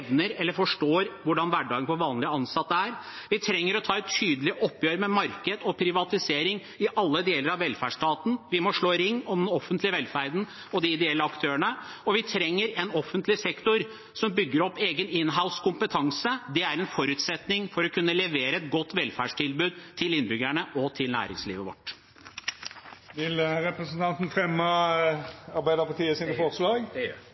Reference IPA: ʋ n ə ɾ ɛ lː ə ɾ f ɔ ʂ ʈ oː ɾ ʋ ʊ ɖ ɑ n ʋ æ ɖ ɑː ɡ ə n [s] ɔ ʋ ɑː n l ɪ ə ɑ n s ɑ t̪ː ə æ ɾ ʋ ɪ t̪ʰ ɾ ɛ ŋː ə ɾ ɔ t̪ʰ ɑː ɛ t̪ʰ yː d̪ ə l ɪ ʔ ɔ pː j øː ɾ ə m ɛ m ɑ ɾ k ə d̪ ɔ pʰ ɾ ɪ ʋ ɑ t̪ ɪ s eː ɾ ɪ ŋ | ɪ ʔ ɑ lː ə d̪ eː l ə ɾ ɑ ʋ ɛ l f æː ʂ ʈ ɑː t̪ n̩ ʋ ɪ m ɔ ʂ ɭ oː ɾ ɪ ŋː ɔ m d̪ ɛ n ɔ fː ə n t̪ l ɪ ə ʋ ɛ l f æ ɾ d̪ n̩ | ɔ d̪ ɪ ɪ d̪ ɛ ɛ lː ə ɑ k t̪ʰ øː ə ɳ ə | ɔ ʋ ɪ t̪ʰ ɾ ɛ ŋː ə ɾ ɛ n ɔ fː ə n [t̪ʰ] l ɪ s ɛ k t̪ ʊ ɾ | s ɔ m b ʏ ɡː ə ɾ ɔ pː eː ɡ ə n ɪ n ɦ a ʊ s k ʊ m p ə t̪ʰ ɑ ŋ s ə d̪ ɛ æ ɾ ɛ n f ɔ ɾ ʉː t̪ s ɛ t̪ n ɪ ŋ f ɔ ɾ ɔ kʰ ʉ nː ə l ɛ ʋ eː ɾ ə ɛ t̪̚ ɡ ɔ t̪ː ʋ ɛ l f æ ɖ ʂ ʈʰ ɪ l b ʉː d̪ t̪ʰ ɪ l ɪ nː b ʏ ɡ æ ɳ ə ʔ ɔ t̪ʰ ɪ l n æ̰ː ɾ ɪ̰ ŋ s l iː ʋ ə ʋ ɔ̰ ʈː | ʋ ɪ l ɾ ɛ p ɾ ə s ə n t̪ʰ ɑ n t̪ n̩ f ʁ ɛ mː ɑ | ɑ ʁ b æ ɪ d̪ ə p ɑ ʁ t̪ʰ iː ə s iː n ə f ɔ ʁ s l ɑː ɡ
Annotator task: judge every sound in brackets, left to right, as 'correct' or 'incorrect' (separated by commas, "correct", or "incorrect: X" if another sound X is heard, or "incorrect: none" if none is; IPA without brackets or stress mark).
incorrect: f, incorrect: t̪